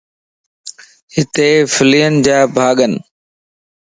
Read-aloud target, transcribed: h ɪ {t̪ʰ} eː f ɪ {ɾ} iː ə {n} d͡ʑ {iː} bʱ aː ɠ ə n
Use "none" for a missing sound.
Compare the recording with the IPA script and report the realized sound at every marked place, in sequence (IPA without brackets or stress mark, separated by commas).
t̪, l, n, aː